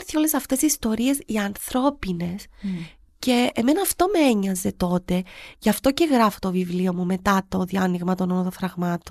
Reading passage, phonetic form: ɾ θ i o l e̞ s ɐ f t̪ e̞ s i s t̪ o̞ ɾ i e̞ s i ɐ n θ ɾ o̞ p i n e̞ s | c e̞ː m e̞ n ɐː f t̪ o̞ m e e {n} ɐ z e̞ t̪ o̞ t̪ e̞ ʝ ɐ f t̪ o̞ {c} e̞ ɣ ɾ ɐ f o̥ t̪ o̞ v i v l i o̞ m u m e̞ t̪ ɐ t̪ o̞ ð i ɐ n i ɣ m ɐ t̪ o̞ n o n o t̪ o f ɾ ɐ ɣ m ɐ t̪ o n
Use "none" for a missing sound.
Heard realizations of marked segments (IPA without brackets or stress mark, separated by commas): ɲ, c